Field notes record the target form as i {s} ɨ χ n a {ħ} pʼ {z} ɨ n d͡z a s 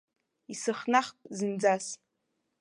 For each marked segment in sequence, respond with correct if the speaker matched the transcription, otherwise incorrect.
correct, incorrect, correct

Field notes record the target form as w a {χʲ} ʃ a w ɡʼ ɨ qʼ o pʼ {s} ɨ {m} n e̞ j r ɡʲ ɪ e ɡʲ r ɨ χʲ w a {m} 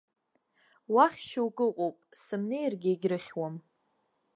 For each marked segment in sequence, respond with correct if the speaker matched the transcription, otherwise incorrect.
correct, correct, correct, correct

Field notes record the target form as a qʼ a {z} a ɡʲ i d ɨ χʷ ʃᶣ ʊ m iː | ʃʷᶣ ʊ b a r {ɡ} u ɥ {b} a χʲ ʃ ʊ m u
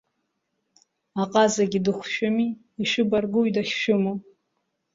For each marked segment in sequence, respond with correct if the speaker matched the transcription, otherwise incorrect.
correct, correct, incorrect

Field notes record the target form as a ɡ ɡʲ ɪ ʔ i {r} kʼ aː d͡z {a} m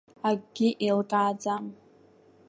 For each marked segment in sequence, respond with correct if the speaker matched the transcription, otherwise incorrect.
incorrect, correct

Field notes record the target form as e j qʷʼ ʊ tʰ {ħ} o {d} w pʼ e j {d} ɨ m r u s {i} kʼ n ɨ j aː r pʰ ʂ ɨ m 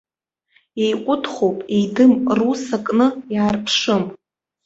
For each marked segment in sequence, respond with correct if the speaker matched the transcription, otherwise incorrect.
incorrect, incorrect, correct, incorrect

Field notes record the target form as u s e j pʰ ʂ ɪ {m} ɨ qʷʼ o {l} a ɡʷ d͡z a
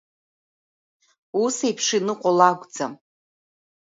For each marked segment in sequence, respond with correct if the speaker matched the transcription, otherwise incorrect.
incorrect, correct

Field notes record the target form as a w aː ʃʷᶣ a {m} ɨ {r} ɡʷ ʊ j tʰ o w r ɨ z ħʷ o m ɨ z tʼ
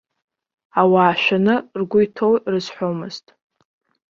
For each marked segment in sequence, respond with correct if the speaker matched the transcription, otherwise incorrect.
incorrect, correct

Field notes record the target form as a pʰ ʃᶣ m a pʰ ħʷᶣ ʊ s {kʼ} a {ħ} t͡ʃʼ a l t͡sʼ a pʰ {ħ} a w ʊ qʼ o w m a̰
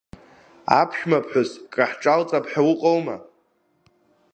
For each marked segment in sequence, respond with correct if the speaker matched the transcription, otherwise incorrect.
correct, correct, correct

